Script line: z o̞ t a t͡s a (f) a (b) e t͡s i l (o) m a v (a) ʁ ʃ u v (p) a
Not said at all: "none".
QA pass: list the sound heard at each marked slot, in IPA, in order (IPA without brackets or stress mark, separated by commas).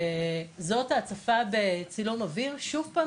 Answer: f, b, u, i, p